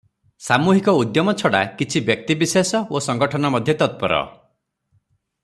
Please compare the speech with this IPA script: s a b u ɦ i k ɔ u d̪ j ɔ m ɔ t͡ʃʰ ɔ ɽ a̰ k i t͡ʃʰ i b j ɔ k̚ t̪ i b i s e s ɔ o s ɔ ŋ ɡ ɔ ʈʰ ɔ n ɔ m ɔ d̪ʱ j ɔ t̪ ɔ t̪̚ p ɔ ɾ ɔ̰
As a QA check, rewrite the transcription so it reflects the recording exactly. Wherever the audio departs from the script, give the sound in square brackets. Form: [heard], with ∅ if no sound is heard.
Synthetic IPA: s a [m] u ɦ i k ɔ u d̪ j ɔ m ɔ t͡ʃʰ ɔ ɽ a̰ k i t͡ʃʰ i b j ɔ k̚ t̪ i b i s e s ɔ o s ɔ ŋ ɡ ɔ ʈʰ ɔ n ɔ m ɔ d̪ʱ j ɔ t̪ ɔ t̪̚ p ɔ ɾ ɔ̰